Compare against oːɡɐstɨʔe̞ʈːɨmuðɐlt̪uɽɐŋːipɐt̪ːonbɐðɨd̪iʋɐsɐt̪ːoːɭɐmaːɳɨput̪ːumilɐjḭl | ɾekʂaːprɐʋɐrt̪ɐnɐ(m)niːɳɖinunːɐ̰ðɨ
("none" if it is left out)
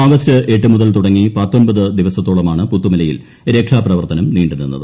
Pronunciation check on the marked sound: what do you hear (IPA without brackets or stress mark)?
m